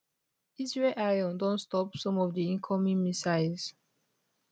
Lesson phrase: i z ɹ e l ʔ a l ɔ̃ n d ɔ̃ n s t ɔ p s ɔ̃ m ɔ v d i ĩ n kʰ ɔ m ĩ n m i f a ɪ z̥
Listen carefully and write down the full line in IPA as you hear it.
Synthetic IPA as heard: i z ɹ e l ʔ a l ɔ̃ n d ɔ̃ n s t ɔ p s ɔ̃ m ɔ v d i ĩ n kʰ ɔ m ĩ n m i s a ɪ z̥